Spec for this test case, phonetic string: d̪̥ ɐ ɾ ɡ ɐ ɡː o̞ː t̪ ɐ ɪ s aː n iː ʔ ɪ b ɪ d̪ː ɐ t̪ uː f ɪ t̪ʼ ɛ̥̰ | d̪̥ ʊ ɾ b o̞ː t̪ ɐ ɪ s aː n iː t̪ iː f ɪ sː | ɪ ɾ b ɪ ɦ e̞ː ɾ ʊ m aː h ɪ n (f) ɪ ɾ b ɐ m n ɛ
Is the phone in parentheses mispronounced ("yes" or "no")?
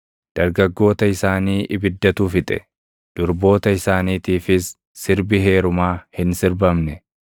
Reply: yes